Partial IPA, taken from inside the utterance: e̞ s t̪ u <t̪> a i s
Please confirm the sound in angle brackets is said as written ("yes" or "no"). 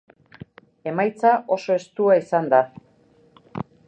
no